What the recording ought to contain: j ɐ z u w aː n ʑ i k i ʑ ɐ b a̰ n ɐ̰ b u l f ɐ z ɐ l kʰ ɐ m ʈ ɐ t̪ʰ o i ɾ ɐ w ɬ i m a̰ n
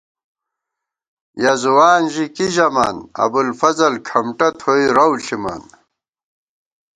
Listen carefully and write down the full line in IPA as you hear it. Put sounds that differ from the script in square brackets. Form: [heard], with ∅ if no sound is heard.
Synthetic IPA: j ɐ z u w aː n ʑ i k i ʑ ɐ [m] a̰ n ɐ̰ b u l f ɐ z ɐ l kʰ ɐ m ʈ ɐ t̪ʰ o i ɾ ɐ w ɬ i m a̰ n